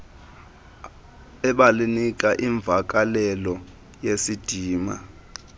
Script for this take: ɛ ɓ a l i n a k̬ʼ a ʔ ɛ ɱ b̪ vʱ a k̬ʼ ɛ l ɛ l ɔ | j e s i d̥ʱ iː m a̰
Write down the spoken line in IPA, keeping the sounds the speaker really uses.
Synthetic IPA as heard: ɛ ɓ a l i n i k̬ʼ a ʔ i ɱ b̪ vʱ a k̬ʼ a l ɛ l ɔ | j e s i d̥ʱ iː m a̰